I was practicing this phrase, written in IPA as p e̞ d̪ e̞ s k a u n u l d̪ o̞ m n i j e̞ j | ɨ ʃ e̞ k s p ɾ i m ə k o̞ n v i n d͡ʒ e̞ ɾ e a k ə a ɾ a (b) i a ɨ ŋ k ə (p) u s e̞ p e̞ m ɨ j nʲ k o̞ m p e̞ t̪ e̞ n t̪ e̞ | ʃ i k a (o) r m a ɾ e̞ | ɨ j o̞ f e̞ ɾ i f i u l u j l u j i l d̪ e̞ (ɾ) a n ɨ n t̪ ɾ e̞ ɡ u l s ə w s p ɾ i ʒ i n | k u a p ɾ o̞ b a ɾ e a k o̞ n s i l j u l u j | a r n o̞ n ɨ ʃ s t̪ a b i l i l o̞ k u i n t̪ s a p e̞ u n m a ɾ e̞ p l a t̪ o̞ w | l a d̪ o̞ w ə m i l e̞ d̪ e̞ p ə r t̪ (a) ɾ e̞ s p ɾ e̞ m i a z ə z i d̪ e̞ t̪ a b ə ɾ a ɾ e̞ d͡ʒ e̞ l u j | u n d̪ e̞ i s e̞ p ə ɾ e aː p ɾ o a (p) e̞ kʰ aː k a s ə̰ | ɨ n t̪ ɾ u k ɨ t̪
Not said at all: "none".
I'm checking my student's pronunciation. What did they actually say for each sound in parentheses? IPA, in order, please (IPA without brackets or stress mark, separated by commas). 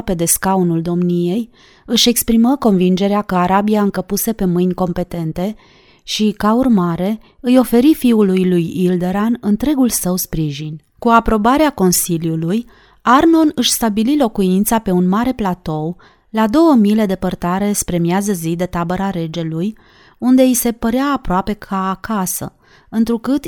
b, p, u, ɾ, a, p